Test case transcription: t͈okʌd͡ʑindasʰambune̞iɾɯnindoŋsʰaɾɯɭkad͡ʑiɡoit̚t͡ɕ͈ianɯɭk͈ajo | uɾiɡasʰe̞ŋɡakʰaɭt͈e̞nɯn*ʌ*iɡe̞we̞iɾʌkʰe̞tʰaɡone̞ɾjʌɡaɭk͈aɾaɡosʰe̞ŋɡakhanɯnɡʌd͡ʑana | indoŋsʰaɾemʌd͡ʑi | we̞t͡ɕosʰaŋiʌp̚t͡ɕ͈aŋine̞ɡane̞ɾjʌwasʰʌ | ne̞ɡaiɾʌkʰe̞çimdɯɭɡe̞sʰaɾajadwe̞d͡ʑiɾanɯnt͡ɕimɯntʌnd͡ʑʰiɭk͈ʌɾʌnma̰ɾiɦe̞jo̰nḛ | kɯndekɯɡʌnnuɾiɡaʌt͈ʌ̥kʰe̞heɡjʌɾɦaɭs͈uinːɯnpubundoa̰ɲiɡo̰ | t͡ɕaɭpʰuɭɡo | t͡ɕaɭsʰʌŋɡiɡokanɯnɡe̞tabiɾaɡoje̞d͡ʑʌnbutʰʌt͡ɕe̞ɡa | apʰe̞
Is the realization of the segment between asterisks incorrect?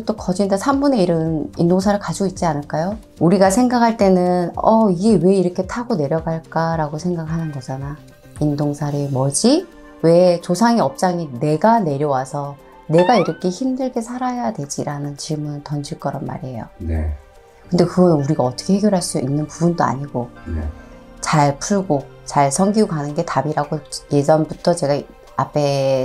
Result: no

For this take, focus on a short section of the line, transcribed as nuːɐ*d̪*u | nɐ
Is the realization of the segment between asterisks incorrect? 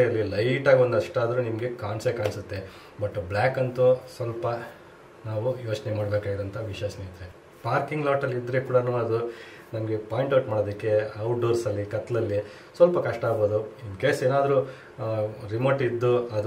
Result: no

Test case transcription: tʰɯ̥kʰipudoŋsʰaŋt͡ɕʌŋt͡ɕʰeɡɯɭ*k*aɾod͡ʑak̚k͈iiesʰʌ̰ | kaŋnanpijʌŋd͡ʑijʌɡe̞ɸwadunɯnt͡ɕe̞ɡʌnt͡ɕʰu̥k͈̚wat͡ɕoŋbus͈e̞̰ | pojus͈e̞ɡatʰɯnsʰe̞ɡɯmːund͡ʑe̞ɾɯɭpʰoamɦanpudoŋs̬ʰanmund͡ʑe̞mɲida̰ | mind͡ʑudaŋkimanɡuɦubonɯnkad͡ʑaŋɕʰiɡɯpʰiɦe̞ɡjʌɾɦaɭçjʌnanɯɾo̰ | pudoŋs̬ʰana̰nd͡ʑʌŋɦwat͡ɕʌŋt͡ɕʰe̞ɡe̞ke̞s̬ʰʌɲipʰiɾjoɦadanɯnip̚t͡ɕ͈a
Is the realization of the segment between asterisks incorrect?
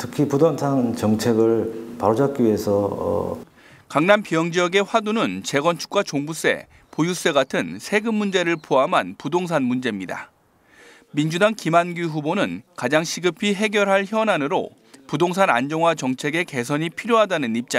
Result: yes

